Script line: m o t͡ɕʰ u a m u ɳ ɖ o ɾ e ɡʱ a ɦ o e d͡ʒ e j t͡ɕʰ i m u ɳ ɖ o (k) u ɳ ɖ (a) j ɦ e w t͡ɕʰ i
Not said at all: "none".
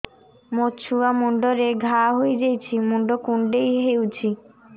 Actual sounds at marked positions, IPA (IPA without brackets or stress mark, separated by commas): k, e